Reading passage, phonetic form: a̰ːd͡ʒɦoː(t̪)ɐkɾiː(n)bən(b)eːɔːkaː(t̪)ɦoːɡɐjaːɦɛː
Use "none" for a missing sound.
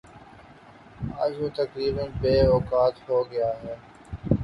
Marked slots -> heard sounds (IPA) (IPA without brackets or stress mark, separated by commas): t̪, none, b, t̪